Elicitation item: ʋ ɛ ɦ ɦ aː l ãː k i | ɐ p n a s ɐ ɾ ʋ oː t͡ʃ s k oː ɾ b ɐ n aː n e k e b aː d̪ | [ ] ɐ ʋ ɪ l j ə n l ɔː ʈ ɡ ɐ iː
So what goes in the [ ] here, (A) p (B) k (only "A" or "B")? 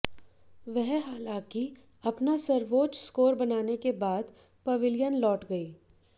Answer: A